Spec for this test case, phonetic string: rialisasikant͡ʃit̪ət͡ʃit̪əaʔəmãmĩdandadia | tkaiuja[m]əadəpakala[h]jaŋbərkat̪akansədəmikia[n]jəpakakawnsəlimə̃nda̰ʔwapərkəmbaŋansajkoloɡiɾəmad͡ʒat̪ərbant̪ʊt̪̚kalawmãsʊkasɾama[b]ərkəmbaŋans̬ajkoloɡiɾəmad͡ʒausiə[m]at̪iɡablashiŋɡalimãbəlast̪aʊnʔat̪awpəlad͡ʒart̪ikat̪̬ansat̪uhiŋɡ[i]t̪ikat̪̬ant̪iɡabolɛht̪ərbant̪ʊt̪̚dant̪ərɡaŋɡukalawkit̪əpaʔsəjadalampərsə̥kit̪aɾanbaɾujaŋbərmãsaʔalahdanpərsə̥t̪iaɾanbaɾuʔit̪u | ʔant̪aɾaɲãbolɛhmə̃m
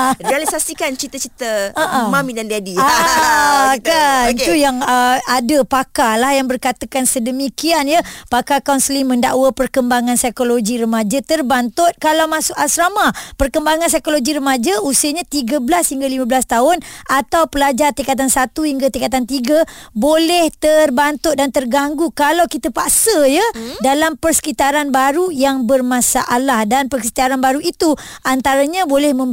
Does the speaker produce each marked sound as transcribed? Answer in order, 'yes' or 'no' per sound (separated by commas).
no, yes, yes, no, no, no